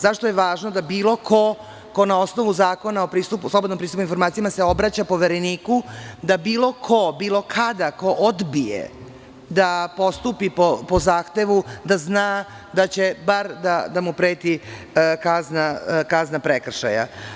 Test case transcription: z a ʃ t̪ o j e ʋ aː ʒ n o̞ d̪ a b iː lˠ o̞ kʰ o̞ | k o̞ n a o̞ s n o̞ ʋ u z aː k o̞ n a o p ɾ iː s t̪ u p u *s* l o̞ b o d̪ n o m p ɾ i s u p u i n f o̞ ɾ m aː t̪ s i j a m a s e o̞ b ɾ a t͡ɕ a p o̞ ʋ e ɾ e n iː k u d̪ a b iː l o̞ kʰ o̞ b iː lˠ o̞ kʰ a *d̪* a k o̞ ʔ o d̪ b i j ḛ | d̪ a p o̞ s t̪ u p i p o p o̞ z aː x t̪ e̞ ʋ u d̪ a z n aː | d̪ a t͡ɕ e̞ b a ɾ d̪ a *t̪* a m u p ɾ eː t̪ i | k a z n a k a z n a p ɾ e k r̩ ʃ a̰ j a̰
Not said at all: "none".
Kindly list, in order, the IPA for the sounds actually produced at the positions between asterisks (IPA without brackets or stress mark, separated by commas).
s, d̪, d̪